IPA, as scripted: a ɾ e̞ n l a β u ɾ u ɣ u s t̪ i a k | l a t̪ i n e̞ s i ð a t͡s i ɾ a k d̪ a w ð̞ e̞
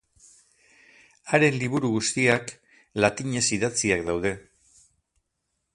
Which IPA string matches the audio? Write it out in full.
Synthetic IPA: a ɾ e̞ n l i β u ɾ u ɣ u s t̪ i a k | l a t̪ i ɲ e̞ s i ð a t͡s i a k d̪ a w ð̞ e̞